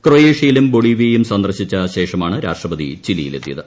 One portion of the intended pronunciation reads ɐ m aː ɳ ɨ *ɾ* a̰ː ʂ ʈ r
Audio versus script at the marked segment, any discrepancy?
no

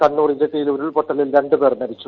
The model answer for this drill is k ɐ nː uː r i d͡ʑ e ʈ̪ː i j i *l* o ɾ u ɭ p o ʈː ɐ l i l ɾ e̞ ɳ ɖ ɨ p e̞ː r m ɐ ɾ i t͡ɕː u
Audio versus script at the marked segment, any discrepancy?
no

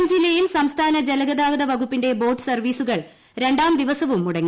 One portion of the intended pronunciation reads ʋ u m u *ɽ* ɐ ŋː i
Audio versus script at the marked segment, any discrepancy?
no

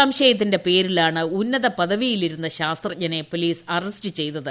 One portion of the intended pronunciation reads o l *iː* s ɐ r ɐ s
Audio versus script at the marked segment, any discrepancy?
no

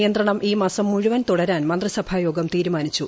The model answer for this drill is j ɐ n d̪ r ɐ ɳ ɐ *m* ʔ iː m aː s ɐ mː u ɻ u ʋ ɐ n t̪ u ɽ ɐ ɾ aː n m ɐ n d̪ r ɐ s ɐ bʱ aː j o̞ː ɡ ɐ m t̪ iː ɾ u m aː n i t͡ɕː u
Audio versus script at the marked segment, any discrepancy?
no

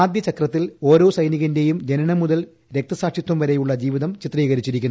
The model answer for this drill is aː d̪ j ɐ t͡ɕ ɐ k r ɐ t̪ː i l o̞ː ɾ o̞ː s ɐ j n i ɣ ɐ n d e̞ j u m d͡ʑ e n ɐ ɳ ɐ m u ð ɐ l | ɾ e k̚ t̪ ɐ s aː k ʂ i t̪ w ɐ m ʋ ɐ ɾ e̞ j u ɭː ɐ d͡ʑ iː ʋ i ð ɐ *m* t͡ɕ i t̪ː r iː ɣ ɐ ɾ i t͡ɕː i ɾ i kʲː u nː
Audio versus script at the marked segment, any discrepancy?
no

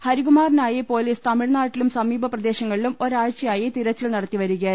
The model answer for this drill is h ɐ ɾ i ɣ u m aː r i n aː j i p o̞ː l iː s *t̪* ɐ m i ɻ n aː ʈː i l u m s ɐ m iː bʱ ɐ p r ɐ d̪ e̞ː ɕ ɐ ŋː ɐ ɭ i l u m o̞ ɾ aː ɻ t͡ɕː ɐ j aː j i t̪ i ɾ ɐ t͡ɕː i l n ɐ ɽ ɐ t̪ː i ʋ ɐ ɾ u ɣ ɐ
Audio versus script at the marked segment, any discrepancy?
no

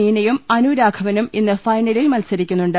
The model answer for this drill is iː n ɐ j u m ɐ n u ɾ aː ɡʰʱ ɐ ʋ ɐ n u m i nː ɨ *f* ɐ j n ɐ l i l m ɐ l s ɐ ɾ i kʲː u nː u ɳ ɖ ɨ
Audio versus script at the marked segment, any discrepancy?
no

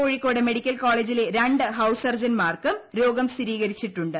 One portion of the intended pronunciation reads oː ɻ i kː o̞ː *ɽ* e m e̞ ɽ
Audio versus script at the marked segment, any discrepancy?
no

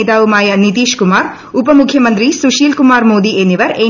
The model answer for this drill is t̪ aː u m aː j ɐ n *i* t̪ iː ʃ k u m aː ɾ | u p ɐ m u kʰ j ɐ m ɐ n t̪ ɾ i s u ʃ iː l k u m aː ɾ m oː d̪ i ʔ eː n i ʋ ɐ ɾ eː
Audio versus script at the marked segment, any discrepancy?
no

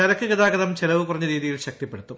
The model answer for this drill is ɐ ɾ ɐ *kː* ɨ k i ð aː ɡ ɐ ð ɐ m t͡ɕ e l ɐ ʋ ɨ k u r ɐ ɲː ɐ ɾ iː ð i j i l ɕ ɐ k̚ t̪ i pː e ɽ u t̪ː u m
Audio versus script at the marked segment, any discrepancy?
no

